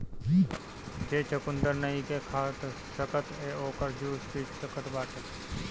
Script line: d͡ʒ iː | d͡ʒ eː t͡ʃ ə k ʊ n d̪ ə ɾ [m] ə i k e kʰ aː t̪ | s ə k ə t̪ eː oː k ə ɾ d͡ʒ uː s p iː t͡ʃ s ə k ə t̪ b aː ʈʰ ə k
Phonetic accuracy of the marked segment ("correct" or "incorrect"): incorrect